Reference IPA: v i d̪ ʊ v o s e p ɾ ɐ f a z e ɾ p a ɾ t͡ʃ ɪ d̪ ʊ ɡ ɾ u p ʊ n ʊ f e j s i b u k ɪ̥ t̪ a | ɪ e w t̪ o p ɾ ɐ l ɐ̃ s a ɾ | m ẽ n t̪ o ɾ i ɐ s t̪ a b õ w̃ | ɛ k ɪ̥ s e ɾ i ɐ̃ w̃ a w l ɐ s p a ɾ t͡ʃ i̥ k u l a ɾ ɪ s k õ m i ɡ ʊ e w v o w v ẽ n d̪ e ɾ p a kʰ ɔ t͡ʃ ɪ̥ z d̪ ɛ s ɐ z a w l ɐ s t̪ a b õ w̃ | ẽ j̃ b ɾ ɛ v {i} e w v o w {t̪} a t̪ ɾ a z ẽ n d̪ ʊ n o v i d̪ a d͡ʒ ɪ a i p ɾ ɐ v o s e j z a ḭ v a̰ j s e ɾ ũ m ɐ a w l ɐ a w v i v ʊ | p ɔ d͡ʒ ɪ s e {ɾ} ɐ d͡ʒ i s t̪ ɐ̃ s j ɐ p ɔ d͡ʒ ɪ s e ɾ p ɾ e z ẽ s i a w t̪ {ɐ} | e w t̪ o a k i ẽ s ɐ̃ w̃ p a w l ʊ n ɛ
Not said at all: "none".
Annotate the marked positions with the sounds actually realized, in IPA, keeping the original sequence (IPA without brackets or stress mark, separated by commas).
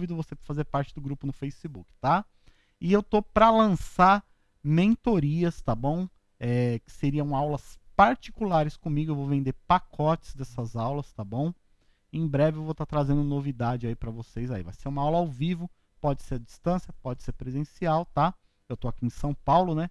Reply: ɪ, t̪, ɾ, a